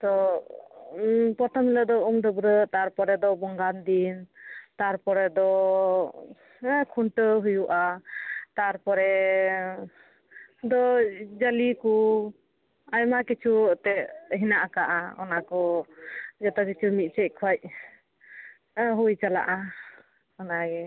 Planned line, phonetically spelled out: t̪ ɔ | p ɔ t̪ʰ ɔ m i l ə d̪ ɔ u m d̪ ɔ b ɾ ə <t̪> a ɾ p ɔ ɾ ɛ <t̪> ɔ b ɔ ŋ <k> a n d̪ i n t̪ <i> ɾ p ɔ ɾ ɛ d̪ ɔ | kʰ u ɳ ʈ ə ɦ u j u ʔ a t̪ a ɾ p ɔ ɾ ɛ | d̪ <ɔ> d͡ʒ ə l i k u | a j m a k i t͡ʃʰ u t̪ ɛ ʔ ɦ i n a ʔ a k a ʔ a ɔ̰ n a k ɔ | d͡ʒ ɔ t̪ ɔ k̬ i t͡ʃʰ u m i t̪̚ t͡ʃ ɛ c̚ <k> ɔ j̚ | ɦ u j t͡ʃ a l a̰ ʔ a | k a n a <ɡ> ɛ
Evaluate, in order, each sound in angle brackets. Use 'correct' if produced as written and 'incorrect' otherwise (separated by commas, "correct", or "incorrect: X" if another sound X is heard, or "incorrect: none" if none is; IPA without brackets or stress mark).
correct, incorrect: d̪, incorrect: ɡ, incorrect: a, correct, incorrect: kʰ, correct